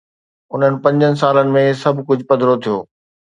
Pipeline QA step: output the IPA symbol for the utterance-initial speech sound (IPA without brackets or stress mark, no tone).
ʊ